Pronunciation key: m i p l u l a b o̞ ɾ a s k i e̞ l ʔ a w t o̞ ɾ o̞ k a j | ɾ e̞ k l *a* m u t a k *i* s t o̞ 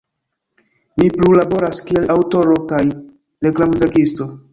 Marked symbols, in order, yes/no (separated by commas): yes, yes